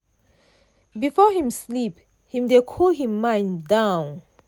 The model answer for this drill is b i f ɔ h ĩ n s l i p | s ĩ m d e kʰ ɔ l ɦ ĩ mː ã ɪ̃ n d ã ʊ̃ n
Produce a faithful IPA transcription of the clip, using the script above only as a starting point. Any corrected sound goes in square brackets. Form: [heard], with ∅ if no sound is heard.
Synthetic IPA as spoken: b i f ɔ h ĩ [m] s l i p | [h] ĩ m d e kʰ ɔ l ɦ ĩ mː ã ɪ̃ n d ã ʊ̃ n